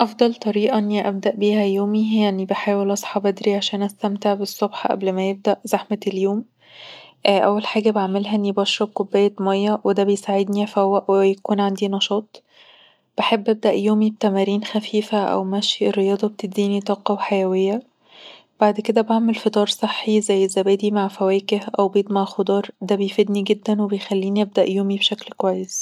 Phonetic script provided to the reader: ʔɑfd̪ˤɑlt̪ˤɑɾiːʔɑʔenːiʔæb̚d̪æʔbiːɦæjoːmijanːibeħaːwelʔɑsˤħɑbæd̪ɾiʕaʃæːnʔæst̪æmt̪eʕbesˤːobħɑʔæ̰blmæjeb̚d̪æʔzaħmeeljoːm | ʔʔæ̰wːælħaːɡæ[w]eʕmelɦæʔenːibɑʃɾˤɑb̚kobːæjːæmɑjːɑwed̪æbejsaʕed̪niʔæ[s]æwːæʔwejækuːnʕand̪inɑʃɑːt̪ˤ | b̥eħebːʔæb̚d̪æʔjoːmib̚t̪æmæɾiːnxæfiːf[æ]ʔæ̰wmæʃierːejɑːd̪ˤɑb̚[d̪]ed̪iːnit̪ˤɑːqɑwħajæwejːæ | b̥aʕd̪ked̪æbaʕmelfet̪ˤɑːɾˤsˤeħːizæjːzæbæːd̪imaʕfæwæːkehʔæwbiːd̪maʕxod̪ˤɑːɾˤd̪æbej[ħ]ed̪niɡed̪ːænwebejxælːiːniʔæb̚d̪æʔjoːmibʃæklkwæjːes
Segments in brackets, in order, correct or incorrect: incorrect, incorrect, correct, incorrect, incorrect

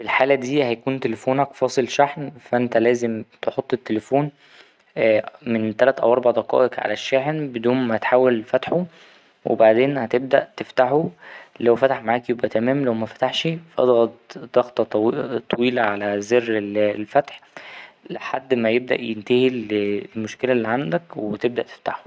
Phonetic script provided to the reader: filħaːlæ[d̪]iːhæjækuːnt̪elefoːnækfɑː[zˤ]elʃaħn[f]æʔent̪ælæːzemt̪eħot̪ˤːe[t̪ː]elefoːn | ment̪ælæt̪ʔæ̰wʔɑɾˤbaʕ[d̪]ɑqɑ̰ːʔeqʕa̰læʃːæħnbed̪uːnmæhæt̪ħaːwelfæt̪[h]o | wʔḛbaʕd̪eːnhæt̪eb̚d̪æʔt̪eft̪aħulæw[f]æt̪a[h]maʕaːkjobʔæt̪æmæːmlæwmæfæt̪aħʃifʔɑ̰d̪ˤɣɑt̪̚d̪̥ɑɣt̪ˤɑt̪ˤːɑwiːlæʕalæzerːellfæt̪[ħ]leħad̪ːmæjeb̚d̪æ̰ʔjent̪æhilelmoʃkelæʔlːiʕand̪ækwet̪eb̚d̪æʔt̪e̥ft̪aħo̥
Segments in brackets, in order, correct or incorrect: correct, incorrect, correct, correct, correct, incorrect, correct, incorrect, correct

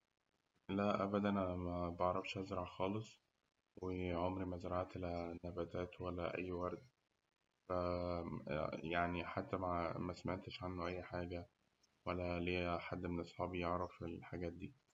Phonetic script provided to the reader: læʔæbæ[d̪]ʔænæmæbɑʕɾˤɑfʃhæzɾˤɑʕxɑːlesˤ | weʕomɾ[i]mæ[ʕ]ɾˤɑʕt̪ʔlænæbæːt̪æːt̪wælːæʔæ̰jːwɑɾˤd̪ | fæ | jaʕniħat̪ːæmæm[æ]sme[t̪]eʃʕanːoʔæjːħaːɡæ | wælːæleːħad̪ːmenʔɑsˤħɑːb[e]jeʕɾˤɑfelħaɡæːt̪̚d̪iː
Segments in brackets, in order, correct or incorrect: correct, correct, incorrect, correct, correct, incorrect

